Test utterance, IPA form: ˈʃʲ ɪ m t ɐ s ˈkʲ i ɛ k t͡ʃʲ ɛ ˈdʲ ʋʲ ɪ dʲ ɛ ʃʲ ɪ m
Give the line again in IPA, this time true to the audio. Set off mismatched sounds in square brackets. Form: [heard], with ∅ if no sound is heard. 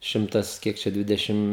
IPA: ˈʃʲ ɪ m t ɐ s ˈkʲ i ɛ k t͡ʃʲ ɛ ˈdʲ ʋʲ ɪ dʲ ɛ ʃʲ ɪ m